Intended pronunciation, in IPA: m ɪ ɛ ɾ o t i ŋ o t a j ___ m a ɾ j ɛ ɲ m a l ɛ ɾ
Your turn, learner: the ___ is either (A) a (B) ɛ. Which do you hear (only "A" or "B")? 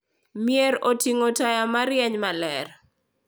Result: A